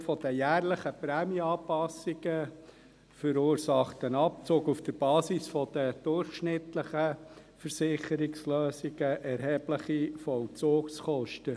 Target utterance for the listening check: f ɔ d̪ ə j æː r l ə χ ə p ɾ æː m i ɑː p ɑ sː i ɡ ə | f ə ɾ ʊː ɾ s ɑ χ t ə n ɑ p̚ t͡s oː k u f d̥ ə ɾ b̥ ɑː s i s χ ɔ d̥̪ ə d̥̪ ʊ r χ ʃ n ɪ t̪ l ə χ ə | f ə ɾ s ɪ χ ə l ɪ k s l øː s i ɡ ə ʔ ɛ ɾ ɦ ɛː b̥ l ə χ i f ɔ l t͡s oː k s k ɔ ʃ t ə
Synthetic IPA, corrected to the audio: f ɔ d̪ ə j æː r l ə χ ə p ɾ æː m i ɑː p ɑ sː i ɡ ə | f ə ɾ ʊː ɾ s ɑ χ t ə n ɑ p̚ t͡s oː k u f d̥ ə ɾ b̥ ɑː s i s f ɔ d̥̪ ə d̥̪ ʊ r χ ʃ n ɪ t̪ l ə χ ə | f ə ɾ s ɪ χ ə ɾ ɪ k s l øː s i ɡ ə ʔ ɛ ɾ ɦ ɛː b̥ l ə χ i f ɔ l t͡s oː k s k ɔ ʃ t ə